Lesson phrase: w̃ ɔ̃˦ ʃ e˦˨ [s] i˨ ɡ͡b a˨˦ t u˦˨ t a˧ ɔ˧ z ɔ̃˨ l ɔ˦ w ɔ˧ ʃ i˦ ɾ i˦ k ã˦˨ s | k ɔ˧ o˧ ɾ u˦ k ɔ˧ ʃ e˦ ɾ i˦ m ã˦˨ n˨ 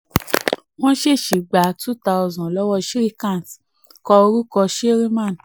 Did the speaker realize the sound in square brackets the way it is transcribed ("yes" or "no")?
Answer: no